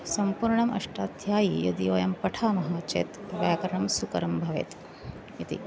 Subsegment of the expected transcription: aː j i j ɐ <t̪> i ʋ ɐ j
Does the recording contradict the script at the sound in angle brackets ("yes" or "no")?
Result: yes